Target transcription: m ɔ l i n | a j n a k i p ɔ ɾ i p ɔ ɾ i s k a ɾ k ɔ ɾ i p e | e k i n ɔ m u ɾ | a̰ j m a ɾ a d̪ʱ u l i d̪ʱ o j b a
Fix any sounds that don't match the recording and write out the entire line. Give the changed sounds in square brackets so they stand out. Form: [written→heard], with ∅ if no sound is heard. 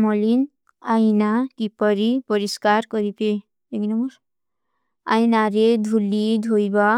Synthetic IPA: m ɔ l i n | a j n a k i p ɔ ɾ i p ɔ ɾ i s k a ɾ k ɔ ɾ i p e | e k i n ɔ m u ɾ | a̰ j [m→n] a ɾ [a→e] d̪ʱ u l i d̪ʱ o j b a

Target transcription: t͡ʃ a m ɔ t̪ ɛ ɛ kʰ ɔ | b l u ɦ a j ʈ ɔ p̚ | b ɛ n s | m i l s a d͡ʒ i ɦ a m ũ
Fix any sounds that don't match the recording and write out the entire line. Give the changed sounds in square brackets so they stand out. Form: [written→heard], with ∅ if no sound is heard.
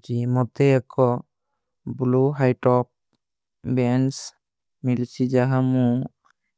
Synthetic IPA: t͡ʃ [a→i] m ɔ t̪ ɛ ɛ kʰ ɔ | b l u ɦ a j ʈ ɔ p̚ | b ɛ n s | m i l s [a→i] d͡ʒ [i→a] ɦ a m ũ

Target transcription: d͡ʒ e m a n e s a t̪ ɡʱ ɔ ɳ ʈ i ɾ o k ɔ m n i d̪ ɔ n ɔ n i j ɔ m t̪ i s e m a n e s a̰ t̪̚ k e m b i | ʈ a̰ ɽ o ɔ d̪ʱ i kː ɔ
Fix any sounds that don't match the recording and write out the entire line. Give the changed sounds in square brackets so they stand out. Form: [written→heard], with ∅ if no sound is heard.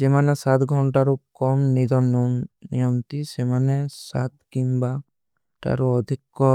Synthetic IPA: d͡ʒ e m a n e s a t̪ ɡʱ ɔ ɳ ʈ [i→a] ɾ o k ɔ m n i d̪ ɔ n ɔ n i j ɔ m t̪ i s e m a n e s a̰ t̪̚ k [e→i] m b [i→a] | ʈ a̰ [ɽ→ɾ] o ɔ d̪ʱ i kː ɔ

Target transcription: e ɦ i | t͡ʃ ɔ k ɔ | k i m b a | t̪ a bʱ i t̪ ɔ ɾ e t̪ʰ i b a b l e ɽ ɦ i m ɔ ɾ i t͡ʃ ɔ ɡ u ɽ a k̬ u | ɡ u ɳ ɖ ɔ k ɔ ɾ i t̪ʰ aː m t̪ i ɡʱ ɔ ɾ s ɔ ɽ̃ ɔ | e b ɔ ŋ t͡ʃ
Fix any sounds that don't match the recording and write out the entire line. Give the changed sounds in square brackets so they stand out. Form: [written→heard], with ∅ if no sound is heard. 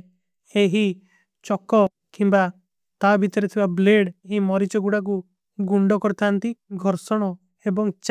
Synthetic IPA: e ɦ i | t͡ʃ ɔ k ɔ | k i m b a | t̪ a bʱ i t̪ ɔ ɾ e t̪ʰ i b a b l e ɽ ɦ i m ɔ ɾ i t͡ʃ ɔ ɡ u ɽ a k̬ u | ɡ u ɳ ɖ ɔ k ɔ ɾ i t̪ʰ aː [m→n] t̪ i ɡʱ ɔ ɾ s ɔ ɽ̃ ɔ | e b ɔ ŋ t͡ʃ

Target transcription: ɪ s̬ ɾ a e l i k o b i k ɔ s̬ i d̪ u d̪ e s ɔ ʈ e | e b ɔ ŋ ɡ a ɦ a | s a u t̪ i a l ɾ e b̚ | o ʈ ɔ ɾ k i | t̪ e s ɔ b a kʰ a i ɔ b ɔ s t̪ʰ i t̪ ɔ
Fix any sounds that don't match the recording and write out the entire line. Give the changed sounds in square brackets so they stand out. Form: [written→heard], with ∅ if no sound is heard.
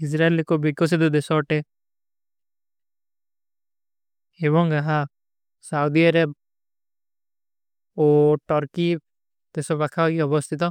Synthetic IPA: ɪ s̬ ɾ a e l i k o b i k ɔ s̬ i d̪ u d̪ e s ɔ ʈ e | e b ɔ ŋ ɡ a ɦ a | s a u [t̪→d̪] i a [l→∅] ɾ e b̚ | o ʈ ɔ ɾ k i | t̪ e s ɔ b a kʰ a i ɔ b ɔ s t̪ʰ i t̪ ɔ

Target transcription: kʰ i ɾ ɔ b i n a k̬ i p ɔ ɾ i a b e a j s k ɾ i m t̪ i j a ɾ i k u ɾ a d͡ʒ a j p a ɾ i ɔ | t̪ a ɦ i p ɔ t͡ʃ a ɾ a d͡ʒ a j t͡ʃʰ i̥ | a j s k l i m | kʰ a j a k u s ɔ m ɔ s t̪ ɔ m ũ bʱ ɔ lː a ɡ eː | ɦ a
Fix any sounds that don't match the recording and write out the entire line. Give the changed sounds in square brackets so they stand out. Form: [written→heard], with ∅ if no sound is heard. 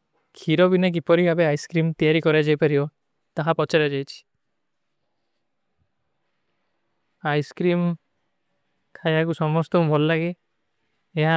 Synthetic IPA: kʰ i ɾ ɔ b i n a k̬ i p ɔ ɾ i a b e a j s k ɾ i m t̪ i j a ɾ i k [u→ɔ] ɾ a d͡ʒ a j p a ɾ i ɔ | t̪ a ɦ [i→a] p ɔ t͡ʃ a ɾ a d͡ʒ a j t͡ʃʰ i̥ | a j s k [l→ɾ] i m | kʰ a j a k u s ɔ m ɔ s t̪ ɔ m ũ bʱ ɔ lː a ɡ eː | ɦ a

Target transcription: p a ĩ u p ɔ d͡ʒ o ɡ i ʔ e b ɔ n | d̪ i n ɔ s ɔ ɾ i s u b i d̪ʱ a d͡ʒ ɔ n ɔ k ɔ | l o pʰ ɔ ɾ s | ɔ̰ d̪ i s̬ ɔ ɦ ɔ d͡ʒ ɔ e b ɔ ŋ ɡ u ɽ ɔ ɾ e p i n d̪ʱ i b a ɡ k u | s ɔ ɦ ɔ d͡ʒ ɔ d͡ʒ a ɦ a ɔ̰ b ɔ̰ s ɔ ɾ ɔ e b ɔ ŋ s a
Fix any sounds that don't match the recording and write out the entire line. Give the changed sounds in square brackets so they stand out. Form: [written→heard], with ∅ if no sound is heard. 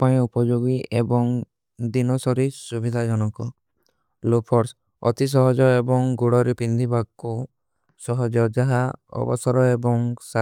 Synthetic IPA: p a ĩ u p ɔ d͡ʒ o ɡ i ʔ e b ɔ [n→ŋ] | d̪ i n ɔ s ɔ ɾ i s u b i d̪ʱ a d͡ʒ ɔ n ɔ k ɔ | l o pʰ ɔ ɾ s | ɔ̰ [d̪→t̪] i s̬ ɔ ɦ ɔ d͡ʒ ɔ e b ɔ ŋ ɡ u ɽ ɔ ɾ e p i n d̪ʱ i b a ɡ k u | s ɔ ɦ ɔ d͡ʒ ɔ d͡ʒ a ɦ a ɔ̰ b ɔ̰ s ɔ ɾ ɔ e b ɔ ŋ s a

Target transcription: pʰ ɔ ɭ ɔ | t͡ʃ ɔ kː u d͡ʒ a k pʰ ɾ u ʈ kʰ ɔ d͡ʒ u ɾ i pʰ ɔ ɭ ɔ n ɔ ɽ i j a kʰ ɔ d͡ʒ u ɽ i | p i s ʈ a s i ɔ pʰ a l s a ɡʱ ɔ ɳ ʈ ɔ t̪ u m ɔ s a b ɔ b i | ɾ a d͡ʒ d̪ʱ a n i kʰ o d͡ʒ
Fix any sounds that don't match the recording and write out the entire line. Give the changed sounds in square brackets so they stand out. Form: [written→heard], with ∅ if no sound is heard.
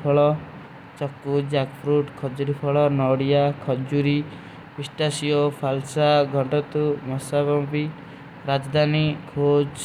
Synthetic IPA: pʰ ɔ ɭ ɔ | t͡ʃ ɔ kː u d͡ʒ a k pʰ ɾ u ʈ kʰ ɔ d͡ʒ u ɾ i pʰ ɔ ɭ ɔ n ɔ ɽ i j a kʰ ɔ d͡ʒ u [ɽ→ɾ] i | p i s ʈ a s i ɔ pʰ a l s a ɡʱ ɔ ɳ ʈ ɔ t̪ u m ɔ s a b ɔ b i | ɾ a d͡ʒ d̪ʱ a n i kʰ o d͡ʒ

